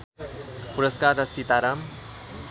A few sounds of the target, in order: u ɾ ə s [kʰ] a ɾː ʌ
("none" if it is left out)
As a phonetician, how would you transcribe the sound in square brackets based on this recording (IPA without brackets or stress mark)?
k